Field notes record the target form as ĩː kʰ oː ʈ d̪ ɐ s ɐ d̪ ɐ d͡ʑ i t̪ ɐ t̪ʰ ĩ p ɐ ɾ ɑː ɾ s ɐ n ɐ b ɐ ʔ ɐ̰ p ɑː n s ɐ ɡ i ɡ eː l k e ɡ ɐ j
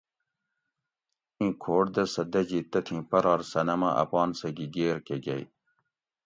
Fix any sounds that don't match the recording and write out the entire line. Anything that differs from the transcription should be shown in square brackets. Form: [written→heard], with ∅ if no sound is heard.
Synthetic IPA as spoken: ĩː kʰ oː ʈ d̪ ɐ s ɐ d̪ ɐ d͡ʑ i t̪ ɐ t̪ʰ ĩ p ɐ ɾ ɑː ɾ s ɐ n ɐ [b→m] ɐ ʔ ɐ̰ p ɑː n s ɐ ɡ i ɡ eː [l→ɾ] k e ɡ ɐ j